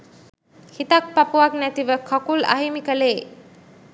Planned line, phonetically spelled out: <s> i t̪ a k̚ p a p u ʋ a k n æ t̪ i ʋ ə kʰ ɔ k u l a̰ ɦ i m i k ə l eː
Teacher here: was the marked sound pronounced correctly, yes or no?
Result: no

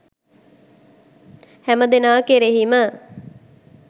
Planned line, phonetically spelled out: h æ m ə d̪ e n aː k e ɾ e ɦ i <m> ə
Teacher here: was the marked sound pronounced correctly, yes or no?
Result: yes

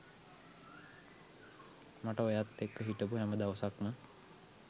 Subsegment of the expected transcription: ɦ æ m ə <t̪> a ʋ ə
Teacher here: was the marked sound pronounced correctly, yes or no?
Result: no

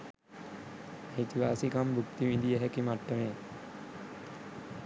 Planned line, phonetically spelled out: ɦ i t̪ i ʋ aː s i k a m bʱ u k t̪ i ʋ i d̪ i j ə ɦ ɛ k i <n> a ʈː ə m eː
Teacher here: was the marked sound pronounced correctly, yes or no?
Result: no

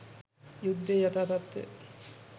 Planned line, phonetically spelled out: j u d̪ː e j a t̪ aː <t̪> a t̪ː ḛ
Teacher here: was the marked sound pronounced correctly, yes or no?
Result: yes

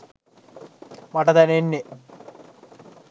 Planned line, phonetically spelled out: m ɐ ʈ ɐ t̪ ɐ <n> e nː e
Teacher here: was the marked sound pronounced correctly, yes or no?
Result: yes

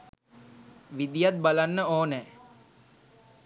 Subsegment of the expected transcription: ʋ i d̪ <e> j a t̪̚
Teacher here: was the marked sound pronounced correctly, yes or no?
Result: no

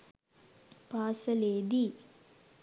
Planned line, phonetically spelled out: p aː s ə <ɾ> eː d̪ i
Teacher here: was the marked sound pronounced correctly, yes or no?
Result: no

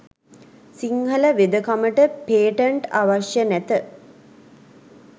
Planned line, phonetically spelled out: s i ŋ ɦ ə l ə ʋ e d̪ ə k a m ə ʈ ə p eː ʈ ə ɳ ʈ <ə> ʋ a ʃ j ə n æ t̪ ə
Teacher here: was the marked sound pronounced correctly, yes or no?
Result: no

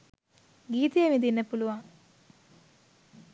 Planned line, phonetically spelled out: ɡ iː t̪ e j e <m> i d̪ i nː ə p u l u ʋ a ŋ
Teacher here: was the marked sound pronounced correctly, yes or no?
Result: yes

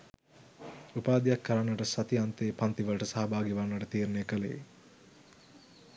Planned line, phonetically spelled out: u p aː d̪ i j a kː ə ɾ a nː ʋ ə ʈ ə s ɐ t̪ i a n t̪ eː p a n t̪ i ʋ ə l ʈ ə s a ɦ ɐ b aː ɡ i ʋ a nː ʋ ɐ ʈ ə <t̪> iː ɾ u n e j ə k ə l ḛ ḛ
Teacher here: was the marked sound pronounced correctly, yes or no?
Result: yes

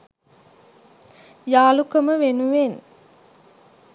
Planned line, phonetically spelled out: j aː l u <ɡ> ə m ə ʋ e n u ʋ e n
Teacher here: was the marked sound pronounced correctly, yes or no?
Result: no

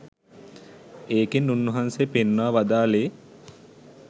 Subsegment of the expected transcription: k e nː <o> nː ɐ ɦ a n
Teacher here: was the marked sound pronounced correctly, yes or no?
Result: no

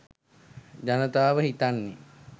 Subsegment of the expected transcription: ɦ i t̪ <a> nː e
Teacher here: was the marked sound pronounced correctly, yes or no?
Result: yes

